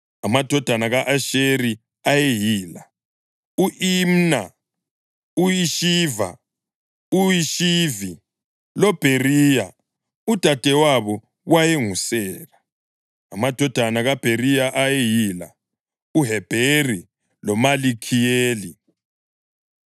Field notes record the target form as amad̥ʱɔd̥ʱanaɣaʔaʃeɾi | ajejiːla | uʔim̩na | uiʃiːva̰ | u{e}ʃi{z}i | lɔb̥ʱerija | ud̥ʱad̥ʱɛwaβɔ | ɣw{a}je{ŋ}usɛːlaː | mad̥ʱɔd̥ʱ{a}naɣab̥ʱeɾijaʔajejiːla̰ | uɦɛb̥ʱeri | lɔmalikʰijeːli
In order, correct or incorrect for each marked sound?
incorrect: i, incorrect: v, correct, correct, correct

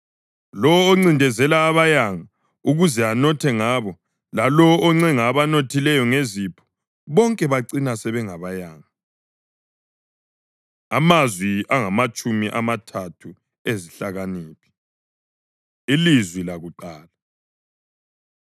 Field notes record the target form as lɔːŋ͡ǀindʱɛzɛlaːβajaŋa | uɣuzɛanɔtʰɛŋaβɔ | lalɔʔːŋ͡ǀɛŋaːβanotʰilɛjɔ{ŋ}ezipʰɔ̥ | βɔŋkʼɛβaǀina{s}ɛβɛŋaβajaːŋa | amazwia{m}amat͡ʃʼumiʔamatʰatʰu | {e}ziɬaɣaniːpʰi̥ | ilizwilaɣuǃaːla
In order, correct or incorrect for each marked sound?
correct, correct, incorrect: ŋ, correct

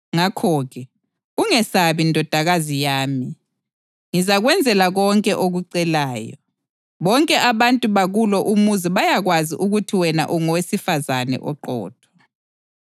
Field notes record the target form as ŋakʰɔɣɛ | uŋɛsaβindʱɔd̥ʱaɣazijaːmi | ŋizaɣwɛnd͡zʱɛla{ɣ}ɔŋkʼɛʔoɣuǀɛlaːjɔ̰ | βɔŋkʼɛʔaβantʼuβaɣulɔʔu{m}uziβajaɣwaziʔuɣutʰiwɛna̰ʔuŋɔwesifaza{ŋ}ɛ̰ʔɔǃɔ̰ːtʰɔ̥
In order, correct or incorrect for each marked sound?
correct, correct, incorrect: n

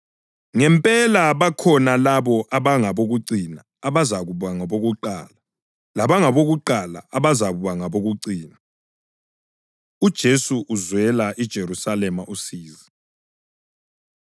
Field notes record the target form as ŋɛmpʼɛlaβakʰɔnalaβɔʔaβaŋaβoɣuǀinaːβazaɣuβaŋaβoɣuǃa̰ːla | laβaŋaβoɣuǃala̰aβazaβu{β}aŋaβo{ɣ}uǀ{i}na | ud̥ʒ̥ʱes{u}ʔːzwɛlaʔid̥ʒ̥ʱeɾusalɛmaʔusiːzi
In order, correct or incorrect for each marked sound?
correct, correct, incorrect: iː, correct

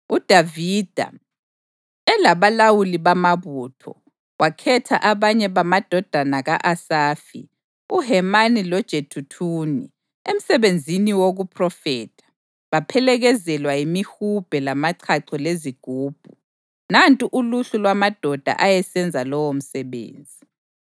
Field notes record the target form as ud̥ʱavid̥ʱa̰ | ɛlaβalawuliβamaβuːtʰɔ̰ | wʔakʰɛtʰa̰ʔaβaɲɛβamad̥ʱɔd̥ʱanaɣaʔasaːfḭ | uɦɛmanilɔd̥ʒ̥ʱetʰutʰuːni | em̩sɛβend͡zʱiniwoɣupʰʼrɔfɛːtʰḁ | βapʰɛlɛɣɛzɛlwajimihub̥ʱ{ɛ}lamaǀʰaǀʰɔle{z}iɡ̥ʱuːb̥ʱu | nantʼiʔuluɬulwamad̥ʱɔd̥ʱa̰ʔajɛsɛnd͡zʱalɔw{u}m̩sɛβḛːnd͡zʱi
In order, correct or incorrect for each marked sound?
correct, correct, incorrect: o

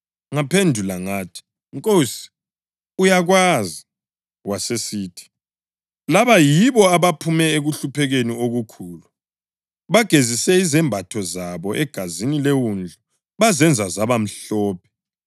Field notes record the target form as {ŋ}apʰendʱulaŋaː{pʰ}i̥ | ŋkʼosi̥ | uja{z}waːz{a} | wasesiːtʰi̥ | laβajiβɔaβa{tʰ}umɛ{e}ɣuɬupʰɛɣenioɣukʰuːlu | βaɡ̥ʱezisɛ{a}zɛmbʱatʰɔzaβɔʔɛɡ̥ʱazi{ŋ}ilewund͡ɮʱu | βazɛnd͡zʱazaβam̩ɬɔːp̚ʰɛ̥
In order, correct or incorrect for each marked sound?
correct, incorrect: tʰ, incorrect: ɣ, incorrect: i, incorrect: pʰ, correct, incorrect: i, incorrect: n

